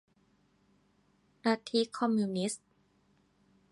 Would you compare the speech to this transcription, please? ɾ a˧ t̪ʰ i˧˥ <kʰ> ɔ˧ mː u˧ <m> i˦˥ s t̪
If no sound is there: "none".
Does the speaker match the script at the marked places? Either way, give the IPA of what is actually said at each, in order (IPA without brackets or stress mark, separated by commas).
kʰ, n